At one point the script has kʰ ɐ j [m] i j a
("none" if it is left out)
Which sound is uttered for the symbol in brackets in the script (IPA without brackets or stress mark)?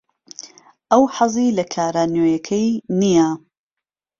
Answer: n